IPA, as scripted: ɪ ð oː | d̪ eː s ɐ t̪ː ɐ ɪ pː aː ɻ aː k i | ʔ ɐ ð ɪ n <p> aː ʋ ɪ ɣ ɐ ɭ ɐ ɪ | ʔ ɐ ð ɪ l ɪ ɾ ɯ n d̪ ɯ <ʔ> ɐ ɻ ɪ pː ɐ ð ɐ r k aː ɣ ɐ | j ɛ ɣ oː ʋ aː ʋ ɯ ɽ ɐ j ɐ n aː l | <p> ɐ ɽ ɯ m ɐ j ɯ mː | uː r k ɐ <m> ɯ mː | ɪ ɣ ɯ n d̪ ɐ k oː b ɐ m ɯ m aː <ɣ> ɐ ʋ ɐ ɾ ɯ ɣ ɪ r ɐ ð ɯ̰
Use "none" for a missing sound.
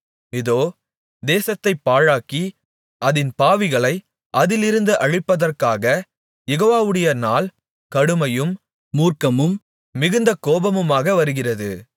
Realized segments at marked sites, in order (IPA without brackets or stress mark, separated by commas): p, ʔ, k, m, ɣ